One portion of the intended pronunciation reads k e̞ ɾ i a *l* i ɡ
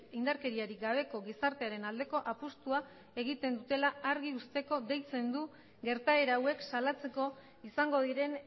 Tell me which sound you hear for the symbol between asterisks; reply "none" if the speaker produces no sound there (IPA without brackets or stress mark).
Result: ɾ